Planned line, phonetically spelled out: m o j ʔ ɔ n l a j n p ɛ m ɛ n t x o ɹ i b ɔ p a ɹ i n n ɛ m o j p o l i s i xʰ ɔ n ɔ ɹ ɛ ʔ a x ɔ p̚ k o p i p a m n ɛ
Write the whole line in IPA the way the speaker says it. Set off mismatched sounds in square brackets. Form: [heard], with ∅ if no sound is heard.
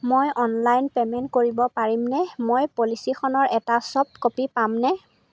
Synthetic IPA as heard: m o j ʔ ɔ n l a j n p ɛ m ɛ n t [k] o ɹ i b ɔ p a ɹ i [m] n ɛ m o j p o l i s i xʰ ɔ n ɔ ɹ ɛ [t] a [s] ɔ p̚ k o p i p a m n ɛ